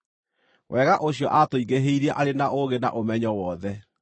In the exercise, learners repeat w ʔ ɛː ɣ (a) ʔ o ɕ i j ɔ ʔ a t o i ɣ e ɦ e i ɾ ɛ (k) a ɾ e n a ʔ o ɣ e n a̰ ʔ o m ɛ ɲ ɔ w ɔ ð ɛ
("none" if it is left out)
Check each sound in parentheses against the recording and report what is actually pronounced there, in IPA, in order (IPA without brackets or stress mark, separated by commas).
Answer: a, ʔ